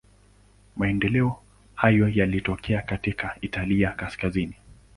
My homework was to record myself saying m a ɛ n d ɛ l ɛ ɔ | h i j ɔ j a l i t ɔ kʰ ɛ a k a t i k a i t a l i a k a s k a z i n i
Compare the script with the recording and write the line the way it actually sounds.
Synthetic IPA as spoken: m a ɛ n d ɛ l ɛ ɔ | h a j ɔ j a l i t ɔ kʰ ɛ a k a t i k a i t a l i a k a s k a z i n i